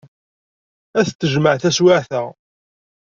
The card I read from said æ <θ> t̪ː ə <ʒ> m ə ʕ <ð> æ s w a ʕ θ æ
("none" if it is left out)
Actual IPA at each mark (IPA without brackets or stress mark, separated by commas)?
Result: θ, ʒ, θ